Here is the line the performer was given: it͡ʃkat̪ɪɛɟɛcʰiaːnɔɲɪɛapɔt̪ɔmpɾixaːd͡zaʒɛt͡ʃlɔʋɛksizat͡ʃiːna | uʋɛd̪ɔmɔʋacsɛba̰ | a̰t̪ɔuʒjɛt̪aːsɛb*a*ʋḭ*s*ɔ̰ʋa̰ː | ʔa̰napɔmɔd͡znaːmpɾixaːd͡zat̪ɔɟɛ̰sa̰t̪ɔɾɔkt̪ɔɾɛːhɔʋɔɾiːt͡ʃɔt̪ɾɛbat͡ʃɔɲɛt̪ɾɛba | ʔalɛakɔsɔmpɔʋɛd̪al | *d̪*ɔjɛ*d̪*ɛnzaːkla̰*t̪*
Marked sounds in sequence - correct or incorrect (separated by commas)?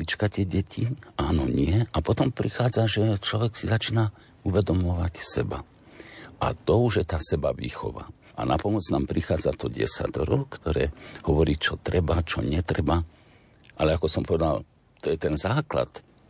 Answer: correct, incorrect, incorrect, incorrect, correct